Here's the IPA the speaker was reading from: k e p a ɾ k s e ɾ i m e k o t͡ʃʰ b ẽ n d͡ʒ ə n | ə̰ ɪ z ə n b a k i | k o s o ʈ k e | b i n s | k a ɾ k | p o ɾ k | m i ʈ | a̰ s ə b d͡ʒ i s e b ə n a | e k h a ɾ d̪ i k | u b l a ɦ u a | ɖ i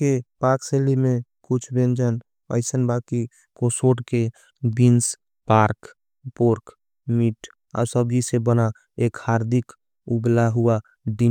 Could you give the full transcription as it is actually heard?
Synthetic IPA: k e p a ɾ k s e l i m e k u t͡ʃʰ b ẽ n d͡ʒ ə n | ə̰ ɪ s ə n b a k i | k o s o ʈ k e | b i n s | p a ɾ k | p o ɾ k | m i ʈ | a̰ s ə b d͡ʒ i s e b ə n a | e k h a ɾ d̪ i k | u b l a ɦ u a | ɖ i